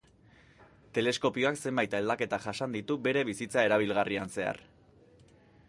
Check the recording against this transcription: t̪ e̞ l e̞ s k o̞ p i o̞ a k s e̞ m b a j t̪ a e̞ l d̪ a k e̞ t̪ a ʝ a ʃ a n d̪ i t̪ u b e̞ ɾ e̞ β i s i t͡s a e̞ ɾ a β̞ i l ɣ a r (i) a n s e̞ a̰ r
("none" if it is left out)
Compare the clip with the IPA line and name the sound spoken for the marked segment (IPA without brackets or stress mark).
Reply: i